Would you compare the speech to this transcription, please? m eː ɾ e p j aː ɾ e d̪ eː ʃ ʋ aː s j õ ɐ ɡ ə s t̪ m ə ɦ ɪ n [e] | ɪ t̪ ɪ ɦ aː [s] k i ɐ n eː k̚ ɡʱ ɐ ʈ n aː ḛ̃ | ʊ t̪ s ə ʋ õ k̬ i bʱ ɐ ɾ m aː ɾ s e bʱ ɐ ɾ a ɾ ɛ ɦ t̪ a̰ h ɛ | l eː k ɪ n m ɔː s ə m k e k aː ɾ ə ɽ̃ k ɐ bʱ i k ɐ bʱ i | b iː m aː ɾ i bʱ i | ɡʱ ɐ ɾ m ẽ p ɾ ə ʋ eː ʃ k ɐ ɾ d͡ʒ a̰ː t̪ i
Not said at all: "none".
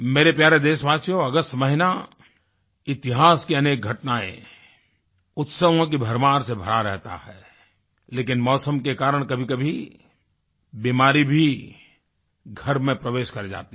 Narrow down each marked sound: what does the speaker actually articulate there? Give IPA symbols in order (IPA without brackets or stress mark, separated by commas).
a, s